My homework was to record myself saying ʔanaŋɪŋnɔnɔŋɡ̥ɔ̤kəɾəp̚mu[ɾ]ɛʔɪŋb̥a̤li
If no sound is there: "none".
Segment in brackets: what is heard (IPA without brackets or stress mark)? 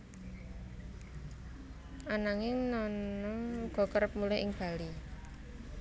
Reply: l